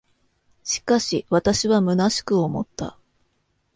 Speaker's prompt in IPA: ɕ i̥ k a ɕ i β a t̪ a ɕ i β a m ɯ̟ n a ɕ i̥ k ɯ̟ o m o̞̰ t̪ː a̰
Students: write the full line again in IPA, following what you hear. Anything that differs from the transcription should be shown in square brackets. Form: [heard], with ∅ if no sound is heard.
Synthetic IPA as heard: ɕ i̥ k a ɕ i β a t̪ a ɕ i β a m ɯ̟ n a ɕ i̥ k ɯ̟ o m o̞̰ t̪ː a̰